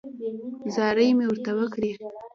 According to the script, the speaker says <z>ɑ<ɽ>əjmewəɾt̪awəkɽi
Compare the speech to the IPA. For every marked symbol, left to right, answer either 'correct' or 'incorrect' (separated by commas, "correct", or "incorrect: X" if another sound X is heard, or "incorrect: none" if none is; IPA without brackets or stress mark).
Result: correct, incorrect: ɾ